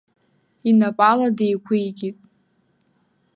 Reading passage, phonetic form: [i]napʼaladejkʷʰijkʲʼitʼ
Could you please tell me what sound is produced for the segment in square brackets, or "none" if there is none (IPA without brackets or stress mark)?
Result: i